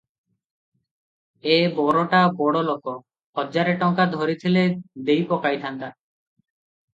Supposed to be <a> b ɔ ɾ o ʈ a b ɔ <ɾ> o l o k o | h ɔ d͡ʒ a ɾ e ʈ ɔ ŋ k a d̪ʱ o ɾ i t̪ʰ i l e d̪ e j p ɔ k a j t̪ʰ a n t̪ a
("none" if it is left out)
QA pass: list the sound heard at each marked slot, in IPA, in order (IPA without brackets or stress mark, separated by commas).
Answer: e, ɽ